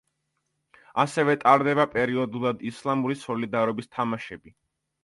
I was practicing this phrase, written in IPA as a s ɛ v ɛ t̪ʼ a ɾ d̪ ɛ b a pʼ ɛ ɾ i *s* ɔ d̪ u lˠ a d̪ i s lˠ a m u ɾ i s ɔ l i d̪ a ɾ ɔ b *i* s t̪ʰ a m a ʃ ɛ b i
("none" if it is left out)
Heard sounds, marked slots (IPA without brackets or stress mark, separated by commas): none, i